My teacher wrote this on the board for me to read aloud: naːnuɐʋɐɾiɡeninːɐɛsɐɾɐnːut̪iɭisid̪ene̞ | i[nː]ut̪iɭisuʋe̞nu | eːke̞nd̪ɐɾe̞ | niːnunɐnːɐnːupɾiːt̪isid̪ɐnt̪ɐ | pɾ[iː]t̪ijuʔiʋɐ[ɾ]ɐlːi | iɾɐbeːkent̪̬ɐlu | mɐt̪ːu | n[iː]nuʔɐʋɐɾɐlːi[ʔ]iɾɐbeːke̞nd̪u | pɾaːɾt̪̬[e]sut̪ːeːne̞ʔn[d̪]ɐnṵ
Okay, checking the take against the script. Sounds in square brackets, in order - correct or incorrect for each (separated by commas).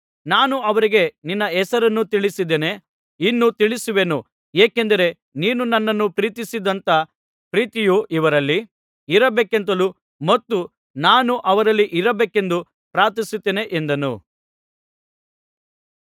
correct, correct, correct, incorrect, correct, incorrect, correct